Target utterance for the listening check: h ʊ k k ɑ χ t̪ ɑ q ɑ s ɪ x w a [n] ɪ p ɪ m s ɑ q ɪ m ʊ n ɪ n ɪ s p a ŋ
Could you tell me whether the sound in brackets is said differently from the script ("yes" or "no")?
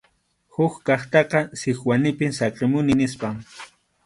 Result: no